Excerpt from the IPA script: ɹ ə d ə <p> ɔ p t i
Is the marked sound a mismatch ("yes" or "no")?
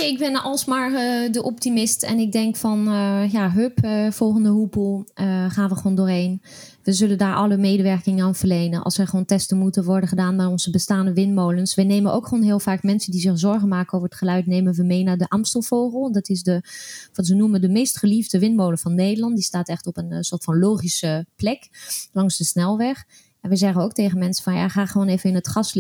yes